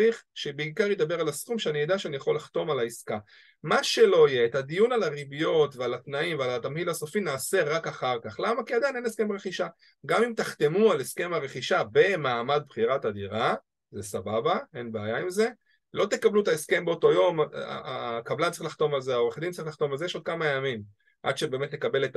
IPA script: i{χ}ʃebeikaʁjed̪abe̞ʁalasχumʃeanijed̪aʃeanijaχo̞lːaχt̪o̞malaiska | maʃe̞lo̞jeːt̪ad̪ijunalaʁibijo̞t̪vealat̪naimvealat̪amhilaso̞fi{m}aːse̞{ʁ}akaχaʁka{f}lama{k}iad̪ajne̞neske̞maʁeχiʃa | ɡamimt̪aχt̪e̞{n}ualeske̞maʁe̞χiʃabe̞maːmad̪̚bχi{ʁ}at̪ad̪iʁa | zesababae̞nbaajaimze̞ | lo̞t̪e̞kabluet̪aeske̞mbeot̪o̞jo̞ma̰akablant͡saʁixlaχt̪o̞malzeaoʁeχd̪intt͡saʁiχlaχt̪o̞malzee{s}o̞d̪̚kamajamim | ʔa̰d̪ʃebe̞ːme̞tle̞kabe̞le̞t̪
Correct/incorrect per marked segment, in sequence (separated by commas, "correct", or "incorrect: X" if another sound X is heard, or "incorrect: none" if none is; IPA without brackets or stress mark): correct, incorrect: n, correct, incorrect: χ, correct, incorrect: m, correct, incorrect: ʃ